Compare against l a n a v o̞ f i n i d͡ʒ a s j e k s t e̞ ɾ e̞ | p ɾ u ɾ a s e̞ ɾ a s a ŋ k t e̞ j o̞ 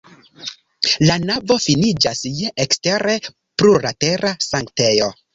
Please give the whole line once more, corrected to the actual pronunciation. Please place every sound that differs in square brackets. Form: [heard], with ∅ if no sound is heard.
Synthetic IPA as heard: l a n a v o̞ f i n i d͡ʒ a s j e k s t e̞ ɾ e̞ | p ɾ u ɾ a [t] e̞ ɾ a s a ŋ k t e̞ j o̞

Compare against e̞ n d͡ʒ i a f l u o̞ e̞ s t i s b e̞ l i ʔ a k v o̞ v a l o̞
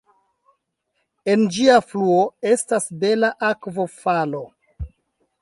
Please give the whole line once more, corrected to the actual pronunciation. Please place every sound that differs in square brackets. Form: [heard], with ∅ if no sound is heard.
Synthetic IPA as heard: e̞ n d͡ʒ i a f l u o̞ e̞ s t [a] s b e̞ l [a] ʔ a k v o̞ [f] a l o̞

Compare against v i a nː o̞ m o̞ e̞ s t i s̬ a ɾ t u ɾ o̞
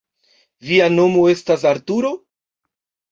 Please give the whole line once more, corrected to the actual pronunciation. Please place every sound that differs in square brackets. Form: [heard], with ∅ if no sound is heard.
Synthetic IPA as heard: v i a [n] o̞ m o̞ e̞ s t [a] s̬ a ɾ t u ɾ o̞

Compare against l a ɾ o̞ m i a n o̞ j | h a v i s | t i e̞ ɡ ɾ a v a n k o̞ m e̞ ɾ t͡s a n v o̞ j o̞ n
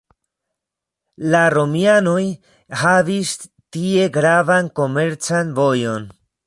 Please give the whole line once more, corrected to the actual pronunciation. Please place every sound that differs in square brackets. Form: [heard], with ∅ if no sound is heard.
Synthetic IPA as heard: l a ɾ o̞ m i a n o̞ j | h a v i s | t i e̞ ɡ ɾ a v a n k o̞ m e̞ ɾ t͡s a n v o̞ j o̞ n

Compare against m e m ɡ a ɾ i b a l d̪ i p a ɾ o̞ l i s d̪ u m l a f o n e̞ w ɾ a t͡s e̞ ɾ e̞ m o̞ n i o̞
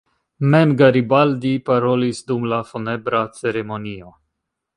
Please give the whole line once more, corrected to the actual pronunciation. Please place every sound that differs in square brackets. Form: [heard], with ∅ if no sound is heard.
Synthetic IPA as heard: m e m ɡ a ɾ i b a l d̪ i p a ɾ o̞ l i s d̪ u m l a f o n e̞ [b] ɾ a t͡s e̞ ɾ e̞ m o̞ n i o̞

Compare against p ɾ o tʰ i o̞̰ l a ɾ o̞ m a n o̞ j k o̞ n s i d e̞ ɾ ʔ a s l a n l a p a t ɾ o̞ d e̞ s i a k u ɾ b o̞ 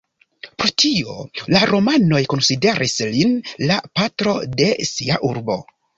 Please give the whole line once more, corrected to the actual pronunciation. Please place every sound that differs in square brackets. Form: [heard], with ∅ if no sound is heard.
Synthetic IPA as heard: p ɾ o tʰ i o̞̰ l a ɾ o̞ m a n o̞ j k o̞ n s i d e̞ ɾ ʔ [i] s l [i] n l a p a t ɾ o̞ d e̞ s i a [ʔ] u ɾ b o̞

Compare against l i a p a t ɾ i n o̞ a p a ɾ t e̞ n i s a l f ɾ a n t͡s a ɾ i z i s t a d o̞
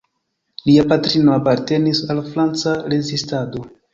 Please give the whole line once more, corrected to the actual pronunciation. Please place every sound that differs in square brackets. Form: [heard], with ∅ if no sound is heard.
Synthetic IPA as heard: l i a p a t ɾ i n o̞ a p a ɾ t e̞ n i s a l f ɾ a n t͡s a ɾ [e] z i s t a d o̞

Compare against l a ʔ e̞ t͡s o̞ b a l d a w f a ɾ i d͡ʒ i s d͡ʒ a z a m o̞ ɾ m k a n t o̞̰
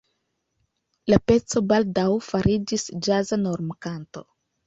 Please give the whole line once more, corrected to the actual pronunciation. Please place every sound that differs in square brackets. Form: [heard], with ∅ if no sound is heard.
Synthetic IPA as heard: l a [p] e̞ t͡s o̞ b a l d a w f a ɾ i d͡ʒ i s d͡ʒ a z a [n] o̞ ɾ m k a n t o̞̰

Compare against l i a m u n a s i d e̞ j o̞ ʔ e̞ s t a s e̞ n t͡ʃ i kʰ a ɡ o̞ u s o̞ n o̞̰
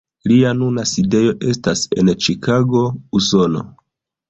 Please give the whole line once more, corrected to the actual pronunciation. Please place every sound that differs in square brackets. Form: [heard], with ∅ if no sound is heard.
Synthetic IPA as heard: l i a [n] u n a s i d e̞ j o̞ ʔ e̞ s t a s e̞ n t͡ʃ i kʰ a ɡ o̞ u s o̞ n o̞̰

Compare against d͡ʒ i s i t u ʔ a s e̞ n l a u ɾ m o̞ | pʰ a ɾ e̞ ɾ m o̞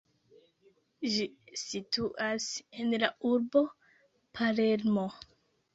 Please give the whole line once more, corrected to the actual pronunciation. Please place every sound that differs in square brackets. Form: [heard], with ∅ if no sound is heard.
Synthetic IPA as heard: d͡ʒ i s i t u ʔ a s e̞ n l a u ɾ [b] o̞ | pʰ a [l] e̞ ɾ m o̞

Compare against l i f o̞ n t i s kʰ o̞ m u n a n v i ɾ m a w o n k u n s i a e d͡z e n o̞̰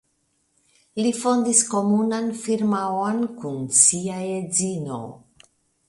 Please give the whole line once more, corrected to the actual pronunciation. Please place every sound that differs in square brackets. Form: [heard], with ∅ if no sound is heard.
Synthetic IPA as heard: l i f o̞ n [d] i s [k] o̞ m u n a n [f] i ɾ m a w o n k u n s i a e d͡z [i] n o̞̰

